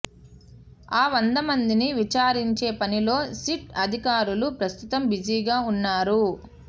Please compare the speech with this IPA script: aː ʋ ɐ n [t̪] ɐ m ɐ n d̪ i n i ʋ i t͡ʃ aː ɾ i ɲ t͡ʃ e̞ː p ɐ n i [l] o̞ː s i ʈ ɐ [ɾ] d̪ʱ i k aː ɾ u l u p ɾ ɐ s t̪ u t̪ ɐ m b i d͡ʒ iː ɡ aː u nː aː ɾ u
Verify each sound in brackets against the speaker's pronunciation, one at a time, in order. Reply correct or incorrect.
incorrect: d̪, correct, incorrect: none

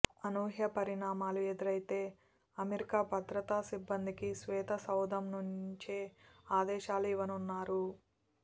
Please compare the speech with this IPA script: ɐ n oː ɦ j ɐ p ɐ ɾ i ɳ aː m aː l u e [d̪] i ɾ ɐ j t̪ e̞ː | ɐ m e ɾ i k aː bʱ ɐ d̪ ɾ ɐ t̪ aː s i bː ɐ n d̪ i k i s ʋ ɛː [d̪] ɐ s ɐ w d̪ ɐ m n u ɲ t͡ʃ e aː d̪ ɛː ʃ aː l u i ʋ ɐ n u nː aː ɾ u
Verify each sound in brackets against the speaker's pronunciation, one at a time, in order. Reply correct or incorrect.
correct, incorrect: t̪

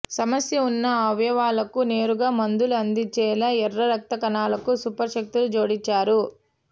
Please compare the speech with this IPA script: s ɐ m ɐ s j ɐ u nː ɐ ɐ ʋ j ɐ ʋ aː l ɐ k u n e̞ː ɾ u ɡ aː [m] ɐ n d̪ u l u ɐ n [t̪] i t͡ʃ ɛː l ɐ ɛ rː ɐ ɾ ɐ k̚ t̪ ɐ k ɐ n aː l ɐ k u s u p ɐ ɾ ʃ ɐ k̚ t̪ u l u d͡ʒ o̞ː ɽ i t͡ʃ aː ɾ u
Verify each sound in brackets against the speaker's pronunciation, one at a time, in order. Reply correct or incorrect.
correct, incorrect: d̪

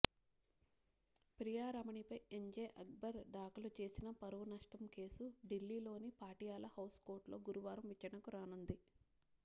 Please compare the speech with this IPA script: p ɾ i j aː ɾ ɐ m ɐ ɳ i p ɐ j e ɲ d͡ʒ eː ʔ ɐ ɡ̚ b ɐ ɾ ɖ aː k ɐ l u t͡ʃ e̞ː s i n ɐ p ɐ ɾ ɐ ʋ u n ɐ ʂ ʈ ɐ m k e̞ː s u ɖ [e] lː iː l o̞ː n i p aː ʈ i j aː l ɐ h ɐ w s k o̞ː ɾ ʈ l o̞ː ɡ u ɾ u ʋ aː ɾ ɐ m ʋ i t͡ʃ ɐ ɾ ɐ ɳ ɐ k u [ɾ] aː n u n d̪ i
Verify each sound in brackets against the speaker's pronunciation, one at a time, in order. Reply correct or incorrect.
incorrect: i, correct

